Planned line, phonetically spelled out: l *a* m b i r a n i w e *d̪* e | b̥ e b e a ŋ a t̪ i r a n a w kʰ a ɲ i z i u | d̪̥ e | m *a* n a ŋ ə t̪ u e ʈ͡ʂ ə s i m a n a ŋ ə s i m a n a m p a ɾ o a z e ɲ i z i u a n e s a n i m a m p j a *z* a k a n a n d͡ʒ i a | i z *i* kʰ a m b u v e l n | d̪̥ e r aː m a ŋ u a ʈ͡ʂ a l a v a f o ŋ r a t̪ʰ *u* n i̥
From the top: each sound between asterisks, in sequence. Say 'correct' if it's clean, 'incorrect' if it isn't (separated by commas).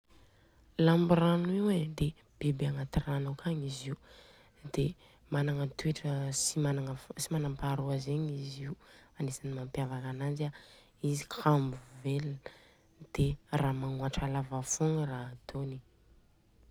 correct, correct, correct, incorrect, correct, incorrect